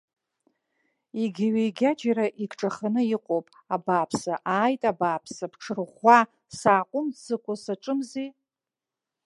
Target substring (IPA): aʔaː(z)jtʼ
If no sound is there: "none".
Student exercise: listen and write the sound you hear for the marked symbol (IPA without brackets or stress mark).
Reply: none